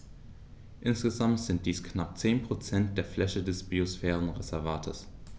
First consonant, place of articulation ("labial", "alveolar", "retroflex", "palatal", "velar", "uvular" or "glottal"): glottal